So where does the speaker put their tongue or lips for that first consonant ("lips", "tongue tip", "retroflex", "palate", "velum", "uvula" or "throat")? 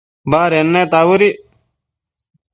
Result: lips